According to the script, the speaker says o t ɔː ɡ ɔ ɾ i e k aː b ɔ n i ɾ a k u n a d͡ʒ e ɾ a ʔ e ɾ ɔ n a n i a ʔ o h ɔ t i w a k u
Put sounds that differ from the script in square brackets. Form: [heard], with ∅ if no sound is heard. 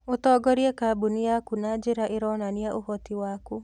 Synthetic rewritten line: o t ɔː ɡ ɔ ɾ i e k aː b [u] n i [∅] a k u n a d͡ʒ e ɾ a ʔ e ɾ ɔ n a n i a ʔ o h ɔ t i w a k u